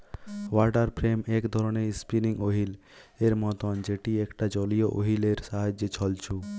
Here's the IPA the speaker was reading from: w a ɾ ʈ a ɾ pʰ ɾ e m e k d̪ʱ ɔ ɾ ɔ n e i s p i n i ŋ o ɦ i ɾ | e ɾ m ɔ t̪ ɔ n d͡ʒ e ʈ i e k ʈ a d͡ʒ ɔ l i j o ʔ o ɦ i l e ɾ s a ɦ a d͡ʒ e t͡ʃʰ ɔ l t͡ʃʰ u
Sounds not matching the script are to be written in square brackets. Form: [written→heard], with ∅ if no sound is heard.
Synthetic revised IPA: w a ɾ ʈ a ɾ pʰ ɾ e m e k d̪ʱ ɔ ɾ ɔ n e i s p i n i ŋ o ɦ i [ɾ→l] | e ɾ m ɔ t̪ ɔ n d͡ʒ e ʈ i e k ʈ a d͡ʒ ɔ l i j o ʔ o ɦ i l e ɾ s a ɦ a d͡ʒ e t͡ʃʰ ɔ l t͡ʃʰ u